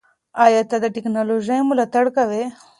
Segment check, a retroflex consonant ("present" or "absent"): present